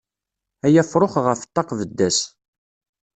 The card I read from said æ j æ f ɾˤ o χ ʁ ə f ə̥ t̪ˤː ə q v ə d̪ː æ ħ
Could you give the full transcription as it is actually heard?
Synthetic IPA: æ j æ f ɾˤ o χ ʁ ə f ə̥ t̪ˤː ɑ q v ə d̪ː æ s